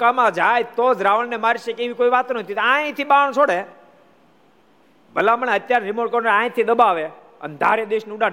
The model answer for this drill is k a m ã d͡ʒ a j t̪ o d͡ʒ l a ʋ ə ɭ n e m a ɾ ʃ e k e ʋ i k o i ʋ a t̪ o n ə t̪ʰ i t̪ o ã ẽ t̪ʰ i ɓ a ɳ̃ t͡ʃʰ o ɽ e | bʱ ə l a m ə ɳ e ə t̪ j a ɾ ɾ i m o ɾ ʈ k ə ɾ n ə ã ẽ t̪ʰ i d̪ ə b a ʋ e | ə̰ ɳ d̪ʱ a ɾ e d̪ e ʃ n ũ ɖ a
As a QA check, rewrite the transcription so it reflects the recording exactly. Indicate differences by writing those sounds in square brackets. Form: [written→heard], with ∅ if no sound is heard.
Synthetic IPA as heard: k a m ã d͡ʒ a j t̪ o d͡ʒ [l→ɾ] a ʋ ə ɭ n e m a ɾ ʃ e k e ʋ i k o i ʋ a t̪ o n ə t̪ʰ i t̪ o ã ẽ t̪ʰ i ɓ a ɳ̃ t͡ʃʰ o ɽ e | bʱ ə l a m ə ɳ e ə t̪ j a ɾ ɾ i m o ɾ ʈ k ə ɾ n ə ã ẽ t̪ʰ i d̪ ə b a ʋ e | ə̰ [ɳ→n] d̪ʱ a ɾ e d̪ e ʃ n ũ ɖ a